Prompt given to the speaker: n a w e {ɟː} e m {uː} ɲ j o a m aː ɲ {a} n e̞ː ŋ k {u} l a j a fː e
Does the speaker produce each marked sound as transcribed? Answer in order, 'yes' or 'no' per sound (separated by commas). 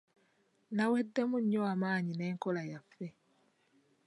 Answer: no, no, no, no